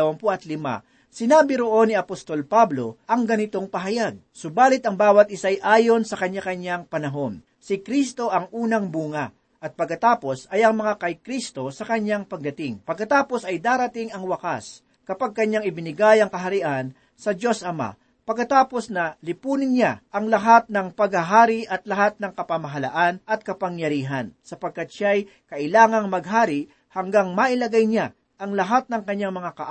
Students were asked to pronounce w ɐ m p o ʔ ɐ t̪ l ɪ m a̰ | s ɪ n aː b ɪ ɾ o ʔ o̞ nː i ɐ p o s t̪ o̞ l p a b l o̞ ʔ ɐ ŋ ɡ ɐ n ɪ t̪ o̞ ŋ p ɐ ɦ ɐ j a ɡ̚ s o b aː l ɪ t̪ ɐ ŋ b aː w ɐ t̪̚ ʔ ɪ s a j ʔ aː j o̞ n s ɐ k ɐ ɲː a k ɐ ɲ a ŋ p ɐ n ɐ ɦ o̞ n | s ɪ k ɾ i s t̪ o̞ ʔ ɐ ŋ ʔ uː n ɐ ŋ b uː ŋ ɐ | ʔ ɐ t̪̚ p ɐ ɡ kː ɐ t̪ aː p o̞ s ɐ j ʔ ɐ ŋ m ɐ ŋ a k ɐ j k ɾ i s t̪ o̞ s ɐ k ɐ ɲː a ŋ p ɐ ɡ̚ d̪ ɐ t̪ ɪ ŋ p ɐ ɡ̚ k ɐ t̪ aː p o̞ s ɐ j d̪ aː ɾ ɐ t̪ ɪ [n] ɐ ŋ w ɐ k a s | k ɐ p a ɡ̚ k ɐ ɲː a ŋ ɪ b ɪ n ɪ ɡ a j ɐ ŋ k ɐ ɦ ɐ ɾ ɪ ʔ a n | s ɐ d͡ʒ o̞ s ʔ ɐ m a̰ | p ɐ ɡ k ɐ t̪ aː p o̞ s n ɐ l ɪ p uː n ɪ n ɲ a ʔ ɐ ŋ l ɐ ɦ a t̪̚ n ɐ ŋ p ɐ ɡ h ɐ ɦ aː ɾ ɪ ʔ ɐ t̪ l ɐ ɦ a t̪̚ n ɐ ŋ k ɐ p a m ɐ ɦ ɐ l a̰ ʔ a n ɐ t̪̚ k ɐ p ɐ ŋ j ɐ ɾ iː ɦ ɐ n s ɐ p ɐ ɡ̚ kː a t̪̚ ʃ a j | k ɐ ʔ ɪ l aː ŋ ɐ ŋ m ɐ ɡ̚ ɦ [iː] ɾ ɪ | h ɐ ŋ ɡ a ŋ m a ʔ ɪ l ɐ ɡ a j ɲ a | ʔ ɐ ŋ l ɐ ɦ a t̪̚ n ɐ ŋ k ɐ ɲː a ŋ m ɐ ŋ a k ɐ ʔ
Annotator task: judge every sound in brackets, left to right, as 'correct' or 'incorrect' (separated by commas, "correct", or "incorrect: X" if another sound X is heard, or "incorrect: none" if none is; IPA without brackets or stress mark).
incorrect: ŋ, incorrect: aː